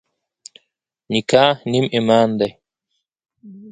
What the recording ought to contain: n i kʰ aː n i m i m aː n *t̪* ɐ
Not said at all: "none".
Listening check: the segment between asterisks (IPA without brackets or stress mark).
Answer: d̪